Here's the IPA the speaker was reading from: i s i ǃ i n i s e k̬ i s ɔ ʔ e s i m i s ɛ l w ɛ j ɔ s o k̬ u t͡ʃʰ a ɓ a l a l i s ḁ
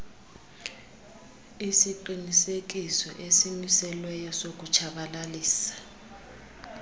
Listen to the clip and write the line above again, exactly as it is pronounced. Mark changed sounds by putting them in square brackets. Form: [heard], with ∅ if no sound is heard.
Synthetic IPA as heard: i s i ǃ i n i s e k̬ i s ɔ ʔ e s i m i s ɛ l w ɛ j ɔ s o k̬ u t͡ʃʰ a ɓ a l a l [iː] s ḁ